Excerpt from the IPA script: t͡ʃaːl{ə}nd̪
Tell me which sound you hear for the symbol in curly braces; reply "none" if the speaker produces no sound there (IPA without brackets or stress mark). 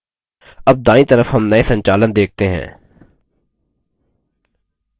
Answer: ə